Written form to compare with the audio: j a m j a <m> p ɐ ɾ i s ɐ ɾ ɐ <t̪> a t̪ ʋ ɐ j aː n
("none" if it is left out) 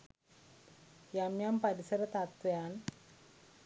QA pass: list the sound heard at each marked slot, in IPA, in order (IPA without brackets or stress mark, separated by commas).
m, t̪